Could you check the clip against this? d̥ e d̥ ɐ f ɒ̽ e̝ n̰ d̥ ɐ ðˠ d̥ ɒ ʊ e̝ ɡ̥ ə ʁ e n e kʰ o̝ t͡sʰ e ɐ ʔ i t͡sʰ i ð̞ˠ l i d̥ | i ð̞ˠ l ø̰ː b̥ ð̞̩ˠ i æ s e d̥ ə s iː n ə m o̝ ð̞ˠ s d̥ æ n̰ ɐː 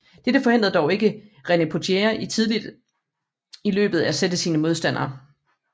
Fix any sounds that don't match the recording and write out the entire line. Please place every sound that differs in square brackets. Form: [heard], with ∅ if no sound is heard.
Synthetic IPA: d̥ e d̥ [ə] f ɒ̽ e̝ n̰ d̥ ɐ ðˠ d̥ ɒ ʊ e̝ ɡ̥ ə ʁ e n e [pʰ] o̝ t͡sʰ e ɐ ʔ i t͡sʰ i ð̞ˠ l i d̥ | i [∅] l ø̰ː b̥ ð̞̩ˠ [æ] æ s e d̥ ə s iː n ə m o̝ ð̞ˠ s d̥ æ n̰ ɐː

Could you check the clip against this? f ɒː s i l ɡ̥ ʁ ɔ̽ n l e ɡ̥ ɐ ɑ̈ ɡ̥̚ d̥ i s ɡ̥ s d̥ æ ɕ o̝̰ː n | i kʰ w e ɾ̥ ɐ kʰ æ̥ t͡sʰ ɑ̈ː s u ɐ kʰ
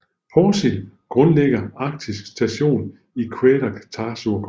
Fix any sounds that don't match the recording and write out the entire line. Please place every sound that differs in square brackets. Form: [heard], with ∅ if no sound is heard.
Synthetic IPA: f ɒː s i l ɡ̥ ʁ ɔ̽ n l e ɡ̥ ɐ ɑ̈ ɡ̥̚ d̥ i s ɡ̥ s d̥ æ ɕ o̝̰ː n | i kʰ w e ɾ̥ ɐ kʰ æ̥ t͡sʰ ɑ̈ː s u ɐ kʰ

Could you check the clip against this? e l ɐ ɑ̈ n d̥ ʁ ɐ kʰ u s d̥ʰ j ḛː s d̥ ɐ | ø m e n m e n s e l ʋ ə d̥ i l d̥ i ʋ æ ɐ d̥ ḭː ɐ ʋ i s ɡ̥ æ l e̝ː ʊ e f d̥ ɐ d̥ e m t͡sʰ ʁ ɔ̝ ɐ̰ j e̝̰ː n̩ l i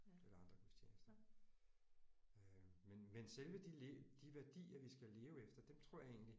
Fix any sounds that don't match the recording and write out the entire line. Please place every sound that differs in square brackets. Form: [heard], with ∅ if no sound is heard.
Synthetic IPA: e l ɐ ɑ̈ n d̥ ʁ ɐ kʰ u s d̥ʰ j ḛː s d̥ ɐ | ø m e n m e n s e l ʋ ə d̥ i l d̥ i ʋ æ ɐ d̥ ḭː ɐ ʋ i s ɡ̥ æ l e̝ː ʊ e f d̥ ɐ d̥ e m t͡sʰ ʁ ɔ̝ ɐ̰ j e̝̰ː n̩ l i

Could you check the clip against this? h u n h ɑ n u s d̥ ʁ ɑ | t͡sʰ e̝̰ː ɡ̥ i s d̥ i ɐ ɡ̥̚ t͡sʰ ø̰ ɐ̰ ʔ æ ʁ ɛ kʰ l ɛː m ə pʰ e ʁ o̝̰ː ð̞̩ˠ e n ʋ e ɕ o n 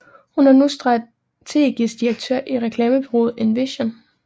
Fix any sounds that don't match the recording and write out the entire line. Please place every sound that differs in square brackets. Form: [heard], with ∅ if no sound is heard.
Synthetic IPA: h u n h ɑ n u s d̥ ʁ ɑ | t͡sʰ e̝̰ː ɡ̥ i s d̥ i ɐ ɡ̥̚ t͡sʰ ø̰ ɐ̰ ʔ [i] ʁ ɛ kʰ l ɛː m ə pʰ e ʁ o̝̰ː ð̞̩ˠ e n ʋ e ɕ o n

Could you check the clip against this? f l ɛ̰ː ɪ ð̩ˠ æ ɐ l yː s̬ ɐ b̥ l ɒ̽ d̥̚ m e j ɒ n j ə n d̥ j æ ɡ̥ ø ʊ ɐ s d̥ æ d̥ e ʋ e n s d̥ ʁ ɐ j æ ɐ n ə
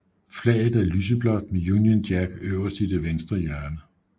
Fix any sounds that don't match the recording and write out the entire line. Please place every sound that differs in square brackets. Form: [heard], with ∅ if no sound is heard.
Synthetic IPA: f l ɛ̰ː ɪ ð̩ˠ æ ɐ l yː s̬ [ə] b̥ l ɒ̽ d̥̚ m e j [u] n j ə n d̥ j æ ɡ̥ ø ʊ ɐ s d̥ [i] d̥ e ʋ e n s d̥ ʁ ɐ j æ ɐ n ə

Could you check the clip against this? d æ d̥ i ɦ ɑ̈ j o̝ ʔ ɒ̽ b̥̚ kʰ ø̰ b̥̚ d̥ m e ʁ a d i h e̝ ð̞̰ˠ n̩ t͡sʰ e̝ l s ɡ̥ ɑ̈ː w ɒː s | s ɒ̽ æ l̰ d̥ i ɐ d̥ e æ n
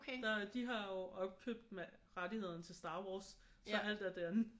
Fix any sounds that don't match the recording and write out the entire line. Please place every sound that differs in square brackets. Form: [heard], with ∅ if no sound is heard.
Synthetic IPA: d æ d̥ i ɦ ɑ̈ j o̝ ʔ ɒ̽ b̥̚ kʰ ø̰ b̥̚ d̥ m e ʁ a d i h e̝ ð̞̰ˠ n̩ t͡sʰ e̝ l s [d̥] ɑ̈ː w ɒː s | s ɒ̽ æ l̰ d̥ [æ] ɐ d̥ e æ n

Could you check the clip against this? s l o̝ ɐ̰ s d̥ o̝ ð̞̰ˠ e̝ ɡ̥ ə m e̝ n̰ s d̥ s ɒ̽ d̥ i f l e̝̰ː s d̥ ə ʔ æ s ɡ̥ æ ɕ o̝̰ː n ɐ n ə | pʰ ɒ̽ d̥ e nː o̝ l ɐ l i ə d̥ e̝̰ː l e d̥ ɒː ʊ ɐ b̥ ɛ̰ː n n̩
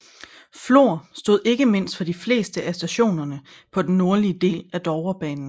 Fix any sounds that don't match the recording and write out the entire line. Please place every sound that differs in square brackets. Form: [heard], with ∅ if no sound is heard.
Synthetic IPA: [f] l o̝ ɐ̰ s d̥ o̝ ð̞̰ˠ e̝ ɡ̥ ə m e̝ n̰ s d̥ [f] ɒ̽ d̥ i f l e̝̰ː s d̥ ə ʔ æ s [d̥] æ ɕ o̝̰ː n ɐ n ə | pʰ ɒ̽ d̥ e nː o̝ [∅] ɐ l i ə d̥ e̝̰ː l [æ] d̥ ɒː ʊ ɐ b̥ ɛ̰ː n n̩

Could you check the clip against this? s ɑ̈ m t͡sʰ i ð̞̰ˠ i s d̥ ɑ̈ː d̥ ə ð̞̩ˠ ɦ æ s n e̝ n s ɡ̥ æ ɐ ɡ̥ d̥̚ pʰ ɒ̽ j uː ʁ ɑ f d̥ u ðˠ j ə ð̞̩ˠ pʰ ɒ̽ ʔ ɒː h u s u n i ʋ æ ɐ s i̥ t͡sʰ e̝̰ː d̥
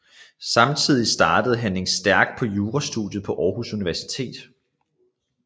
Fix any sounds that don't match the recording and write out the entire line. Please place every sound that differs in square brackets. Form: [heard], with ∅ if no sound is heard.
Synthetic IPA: s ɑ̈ m t͡sʰ i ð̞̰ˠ i s d̥ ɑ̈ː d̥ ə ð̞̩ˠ ɦ æ [∅] n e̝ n s [d̥] æ ɐ ɡ̥ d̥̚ pʰ ɒ̽ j uː ʁ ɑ [s] d̥ u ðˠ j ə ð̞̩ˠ pʰ ɒ̽ ʔ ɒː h u s u n i ʋ æ ɐ s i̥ t͡sʰ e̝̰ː d̥

